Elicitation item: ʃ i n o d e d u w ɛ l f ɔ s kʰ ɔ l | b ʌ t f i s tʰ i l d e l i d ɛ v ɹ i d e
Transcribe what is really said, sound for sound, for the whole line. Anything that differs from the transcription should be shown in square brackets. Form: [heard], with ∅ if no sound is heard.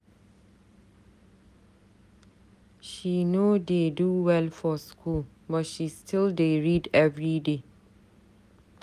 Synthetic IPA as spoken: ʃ i n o d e d u w ɛ l f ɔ s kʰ [u] l | b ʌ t [ʃ] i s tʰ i l d e [ɹ] i d ɛ v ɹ i d e

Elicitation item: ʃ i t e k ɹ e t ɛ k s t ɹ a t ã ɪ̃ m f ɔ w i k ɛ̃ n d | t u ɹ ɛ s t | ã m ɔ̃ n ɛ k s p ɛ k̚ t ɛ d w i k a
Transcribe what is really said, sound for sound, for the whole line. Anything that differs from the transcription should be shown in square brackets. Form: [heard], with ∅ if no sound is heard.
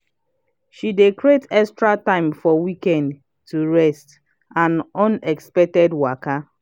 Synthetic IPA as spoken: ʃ i [d] e k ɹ e t ɛ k s t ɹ a t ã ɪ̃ m f ɔ w i k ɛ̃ n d | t u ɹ ɛ s t | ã [n] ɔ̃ n ɛ k s p ɛ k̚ t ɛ d w [a] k a

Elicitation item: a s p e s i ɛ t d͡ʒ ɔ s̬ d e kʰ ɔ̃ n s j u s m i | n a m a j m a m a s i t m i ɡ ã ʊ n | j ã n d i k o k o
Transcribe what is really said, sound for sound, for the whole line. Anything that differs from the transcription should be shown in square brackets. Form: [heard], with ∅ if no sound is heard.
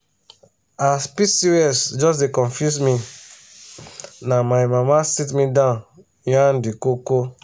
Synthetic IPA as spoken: a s p [i] s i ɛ [s] d͡ʒ ɔ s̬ d e [k] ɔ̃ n [f] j u s m i | n a m a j m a m a s i t m i [d] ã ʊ n | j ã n d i k o k o

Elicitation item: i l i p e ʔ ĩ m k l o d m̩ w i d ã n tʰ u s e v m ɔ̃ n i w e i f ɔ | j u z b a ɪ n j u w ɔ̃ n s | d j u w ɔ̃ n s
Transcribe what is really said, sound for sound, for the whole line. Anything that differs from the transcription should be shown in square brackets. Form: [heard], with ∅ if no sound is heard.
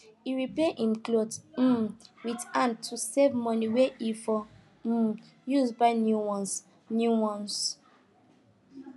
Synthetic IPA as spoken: i [ɹ] i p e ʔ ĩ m k l o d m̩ w i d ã n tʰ u s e v m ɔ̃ n i w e i f ɔ | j u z b a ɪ n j u w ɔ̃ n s | [n] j u w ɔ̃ n s

